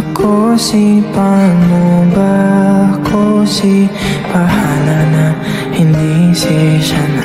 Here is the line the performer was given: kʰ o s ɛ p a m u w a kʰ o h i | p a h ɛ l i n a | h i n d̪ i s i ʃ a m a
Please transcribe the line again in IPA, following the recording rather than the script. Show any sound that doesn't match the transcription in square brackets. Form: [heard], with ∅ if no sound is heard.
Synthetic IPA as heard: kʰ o s [i] p a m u [b] a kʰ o [s] i | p a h [a] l [a] n a | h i n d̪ i s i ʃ a [n] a